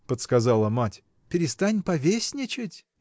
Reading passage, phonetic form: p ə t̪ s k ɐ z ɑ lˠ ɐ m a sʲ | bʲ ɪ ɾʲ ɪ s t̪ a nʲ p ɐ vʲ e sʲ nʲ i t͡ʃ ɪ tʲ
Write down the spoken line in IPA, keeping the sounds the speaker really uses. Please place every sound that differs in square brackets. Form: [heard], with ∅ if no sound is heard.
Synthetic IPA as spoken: p ə t̪ s k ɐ z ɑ lˠ [ə] m a [tʲ] | [pʲ] ɪ ɾʲ ɪ s t̪ a nʲ p ɐ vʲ e sʲ nʲ [ɪ] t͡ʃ ɪ tʲ

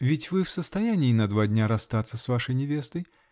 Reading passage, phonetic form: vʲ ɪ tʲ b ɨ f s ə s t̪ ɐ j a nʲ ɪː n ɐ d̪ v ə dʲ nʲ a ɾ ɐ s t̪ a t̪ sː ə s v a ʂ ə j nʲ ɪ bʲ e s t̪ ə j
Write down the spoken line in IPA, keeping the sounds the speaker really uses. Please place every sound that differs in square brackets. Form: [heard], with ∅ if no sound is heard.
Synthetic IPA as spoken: vʲ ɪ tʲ [v] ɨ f s ə s t̪ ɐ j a nʲ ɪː n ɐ d̪ v [a] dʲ nʲ a ɾ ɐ s t̪ a t̪ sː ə s v a ʂ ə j nʲ ɪ [vʲ] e s t̪ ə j

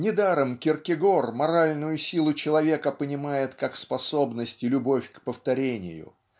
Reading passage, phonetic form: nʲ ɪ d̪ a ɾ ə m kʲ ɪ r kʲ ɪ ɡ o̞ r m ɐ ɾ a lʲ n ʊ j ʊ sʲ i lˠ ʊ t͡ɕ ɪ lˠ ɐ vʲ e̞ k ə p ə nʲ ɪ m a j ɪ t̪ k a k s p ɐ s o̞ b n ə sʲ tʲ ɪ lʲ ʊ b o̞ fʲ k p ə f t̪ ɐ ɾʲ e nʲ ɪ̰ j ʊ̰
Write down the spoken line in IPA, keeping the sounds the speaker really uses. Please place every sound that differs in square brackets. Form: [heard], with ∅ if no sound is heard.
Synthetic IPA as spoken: nʲ ɪ d̪ a ɾ ə m kʲ ɪ r kʲ ɪ ɡ o̞ r m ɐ ɾ a lʲ n ʊ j ʊ sʲ i lˠ ʊ t͡ɕ ɪ lˠ ɐ vʲ e̞ k ə p ə nʲ ɪ m a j ɪ t̪ k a k s p ɐ s o̞ b n ə sʲ tʲ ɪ lʲ ʊ b o̞ fʲ k p ə f t̪ ɐ ɾʲ e nʲ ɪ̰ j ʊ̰

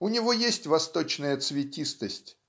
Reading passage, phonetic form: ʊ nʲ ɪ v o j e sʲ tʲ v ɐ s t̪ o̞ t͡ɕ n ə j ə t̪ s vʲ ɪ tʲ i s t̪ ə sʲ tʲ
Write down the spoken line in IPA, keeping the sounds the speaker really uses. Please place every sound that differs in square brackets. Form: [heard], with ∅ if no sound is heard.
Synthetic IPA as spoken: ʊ nʲ ɪ v o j e sʲ tʲ v ɐ s t̪ o̞ t͡ɕ n ə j ə t̪ s vʲ ɪ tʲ i s t̪ ə sʲ tʲ

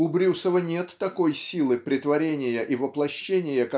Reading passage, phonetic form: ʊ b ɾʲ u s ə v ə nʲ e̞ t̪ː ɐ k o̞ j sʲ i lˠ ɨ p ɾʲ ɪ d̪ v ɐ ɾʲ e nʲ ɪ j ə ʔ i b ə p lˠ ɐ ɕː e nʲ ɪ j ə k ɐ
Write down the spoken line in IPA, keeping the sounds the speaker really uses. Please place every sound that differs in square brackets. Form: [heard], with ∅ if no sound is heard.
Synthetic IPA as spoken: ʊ b ɾʲ u s ə v ə nʲ e̞ t̪ː ɐ k o̞ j sʲ i lˠ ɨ p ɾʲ ɪ [t̪] v ɐ ɾʲ e nʲ ɪ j ə ʔ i [v] ə p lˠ ɐ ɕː e nʲ ɪ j ə k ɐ

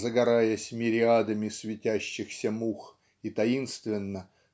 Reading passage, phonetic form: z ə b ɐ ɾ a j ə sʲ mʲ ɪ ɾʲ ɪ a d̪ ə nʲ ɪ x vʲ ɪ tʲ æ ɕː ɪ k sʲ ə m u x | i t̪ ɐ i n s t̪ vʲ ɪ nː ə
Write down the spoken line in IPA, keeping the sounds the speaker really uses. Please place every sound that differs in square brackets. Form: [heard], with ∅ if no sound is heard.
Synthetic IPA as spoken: z ə [ɡ] ɐ ɾ a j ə sʲ mʲ ɪ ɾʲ ɪ a d̪ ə [mʲ] ɪ [s] vʲ ɪ tʲ æ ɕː ɪ [x] sʲ ə m u x | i t̪ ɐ i n s t̪ vʲ ɪ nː ə

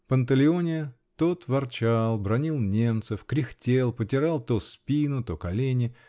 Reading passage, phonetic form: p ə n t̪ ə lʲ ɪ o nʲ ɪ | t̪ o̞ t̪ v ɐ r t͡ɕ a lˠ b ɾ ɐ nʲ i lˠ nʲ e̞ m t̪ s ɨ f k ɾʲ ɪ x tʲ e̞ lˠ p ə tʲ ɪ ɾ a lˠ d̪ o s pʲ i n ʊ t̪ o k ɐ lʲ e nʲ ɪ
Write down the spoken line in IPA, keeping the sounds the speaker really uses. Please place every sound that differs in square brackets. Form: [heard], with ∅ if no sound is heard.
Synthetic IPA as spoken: p ə n t̪ ə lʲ ɪ o nʲ ɪ | t̪ o̞ t̪ v ɐ r t͡ɕ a lˠ b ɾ ɐ nʲ i lˠ nʲ e̞ m t̪ s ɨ f k ɾʲ ɪ x tʲ e̞ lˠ p ə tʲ ɪ ɾ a lˠ [t̪] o s pʲ i n ʊ t̪ o k ɐ lʲ e nʲ ɪ

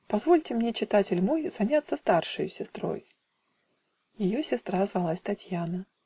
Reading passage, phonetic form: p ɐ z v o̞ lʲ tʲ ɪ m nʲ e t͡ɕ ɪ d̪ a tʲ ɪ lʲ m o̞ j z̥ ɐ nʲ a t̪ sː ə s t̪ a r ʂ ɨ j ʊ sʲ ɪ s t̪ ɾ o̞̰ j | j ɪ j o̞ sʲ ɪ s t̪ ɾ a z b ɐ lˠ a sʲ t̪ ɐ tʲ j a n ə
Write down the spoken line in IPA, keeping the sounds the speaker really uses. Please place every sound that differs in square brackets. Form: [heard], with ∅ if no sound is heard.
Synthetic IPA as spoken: p ɐ z v o̞ lʲ tʲ ɪ m nʲ e t͡ɕ ɪ [t̪] a tʲ ɪ lʲ m o̞ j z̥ ɐ nʲ a t̪ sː ə s t̪ a r ʂ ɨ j ʊ sʲ ɪ s t̪ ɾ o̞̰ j | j ɪ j o̞ sʲ ɪ s t̪ ɾ a z [v] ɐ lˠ a sʲ t̪ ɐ tʲ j a n ə

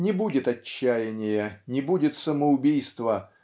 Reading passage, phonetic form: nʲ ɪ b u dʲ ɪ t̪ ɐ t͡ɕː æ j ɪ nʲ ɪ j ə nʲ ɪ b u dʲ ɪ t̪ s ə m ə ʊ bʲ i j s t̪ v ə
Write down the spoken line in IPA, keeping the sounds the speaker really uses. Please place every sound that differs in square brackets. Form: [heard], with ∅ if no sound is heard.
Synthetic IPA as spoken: nʲ ɪ b u dʲ ɪ t̪ ɐ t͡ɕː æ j ɪ nʲ ɪ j ə nʲ ɪ b u dʲ ɪ t̪ s ə m ə ʊ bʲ i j s t̪ v ə

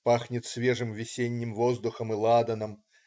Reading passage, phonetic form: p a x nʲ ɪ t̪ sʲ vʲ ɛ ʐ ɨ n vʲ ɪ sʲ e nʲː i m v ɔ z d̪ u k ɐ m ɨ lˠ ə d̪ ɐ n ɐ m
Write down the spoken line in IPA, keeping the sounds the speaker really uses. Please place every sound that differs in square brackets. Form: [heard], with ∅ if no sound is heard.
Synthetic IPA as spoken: p a x nʲ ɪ t̪ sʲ vʲ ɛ ʐ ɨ [m] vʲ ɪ sʲ e nʲː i m v ɔ z d̪ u [x] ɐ m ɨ lˠ [a] d̪ ɐ n ɐ m

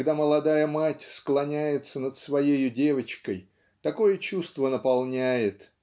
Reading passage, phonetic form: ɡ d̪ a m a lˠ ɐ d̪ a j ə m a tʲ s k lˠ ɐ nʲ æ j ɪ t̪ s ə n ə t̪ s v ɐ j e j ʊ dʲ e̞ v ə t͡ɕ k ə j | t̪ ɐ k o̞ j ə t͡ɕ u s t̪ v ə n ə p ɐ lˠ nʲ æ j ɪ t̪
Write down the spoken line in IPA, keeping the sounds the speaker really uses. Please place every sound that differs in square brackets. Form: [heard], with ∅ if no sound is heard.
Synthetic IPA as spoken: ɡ d̪ a m [ə] lˠ ɐ d̪ a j ə m a tʲ s k lˠ ɐ nʲ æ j ɪ t̪ s ə n ə t̪ s v ɐ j e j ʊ dʲ e̞ v ə t͡ɕ k ə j | t̪ ɐ k o̞ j ə t͡ɕ u s t̪ v ə n ə p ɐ lˠ nʲ æ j ɪ t̪

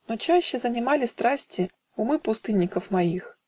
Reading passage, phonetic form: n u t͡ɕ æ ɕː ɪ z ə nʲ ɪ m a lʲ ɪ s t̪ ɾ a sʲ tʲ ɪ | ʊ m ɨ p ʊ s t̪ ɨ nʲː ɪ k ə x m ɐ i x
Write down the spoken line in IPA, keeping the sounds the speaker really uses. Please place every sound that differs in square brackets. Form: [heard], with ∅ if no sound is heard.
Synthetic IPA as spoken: n [o] t͡ɕ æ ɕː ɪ z ə nʲ ɪ m a lʲ ɪ s t̪ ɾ a sʲ tʲ ɪ | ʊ m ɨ p ʊ s t̪ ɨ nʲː ɪ k ə [f] m ɐ i x

